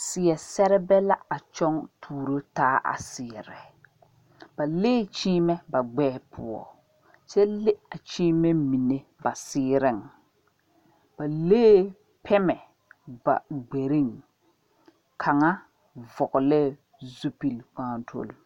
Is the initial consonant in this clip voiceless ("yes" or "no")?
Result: yes